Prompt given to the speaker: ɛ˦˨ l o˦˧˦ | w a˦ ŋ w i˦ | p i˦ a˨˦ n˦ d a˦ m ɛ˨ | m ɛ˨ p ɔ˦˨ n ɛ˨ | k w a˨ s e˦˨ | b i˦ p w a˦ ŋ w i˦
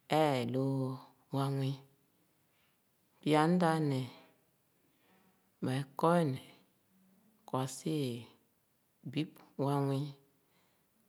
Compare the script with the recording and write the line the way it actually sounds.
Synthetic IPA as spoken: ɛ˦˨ l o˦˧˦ | w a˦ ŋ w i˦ | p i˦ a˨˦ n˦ d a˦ n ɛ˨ | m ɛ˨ k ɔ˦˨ n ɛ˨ | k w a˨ s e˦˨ | b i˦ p w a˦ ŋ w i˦